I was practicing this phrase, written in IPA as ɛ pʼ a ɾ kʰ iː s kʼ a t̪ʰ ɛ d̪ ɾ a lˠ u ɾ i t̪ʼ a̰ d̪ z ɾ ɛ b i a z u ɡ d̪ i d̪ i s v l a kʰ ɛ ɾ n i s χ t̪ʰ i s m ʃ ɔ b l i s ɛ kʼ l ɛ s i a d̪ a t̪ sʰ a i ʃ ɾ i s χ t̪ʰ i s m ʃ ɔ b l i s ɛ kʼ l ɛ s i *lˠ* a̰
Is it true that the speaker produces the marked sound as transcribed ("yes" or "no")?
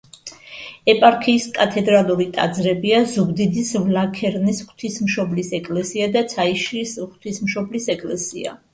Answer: no